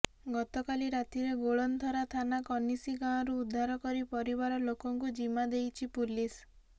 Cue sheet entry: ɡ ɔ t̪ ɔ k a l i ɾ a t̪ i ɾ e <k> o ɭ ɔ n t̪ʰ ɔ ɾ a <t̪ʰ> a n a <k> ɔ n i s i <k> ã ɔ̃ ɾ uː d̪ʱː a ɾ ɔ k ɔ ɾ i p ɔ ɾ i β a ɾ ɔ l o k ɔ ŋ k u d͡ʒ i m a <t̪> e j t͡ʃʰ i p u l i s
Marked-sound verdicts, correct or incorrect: incorrect: ɡ, correct, correct, incorrect: ɡ, incorrect: d̪

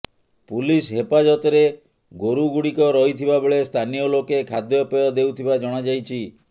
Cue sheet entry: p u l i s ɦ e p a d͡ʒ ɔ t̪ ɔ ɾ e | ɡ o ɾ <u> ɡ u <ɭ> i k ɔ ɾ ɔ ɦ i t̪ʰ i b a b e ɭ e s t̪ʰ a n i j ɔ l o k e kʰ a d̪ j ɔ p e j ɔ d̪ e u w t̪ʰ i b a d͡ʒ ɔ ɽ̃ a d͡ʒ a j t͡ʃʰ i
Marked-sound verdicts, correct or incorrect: correct, incorrect: ɽ

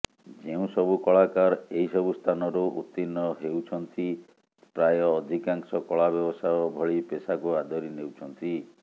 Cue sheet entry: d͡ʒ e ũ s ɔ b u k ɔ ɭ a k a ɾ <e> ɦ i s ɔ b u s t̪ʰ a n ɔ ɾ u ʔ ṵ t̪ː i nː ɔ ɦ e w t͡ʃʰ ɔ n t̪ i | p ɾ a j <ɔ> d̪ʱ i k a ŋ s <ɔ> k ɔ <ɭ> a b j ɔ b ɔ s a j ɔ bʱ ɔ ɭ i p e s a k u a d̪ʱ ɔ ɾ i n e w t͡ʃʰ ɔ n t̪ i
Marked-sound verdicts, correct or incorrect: correct, incorrect: ɔː, correct, correct

